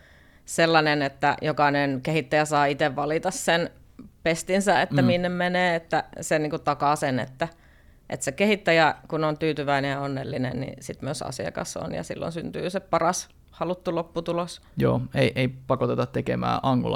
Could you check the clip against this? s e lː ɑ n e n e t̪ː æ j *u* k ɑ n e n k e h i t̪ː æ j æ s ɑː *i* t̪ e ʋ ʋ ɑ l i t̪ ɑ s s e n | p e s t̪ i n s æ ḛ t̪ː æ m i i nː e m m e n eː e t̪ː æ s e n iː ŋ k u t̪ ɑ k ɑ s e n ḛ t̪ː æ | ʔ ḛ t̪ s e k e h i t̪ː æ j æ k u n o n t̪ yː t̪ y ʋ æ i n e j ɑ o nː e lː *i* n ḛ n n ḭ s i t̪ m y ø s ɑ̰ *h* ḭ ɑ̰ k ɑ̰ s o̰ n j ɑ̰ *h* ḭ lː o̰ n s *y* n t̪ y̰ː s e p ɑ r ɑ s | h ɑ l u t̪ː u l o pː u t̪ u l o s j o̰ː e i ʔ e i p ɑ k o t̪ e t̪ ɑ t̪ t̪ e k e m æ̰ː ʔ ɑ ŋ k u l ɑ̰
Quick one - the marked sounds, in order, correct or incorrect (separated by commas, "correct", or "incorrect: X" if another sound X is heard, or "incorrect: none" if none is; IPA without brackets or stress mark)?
incorrect: o, correct, correct, incorrect: s, incorrect: s, correct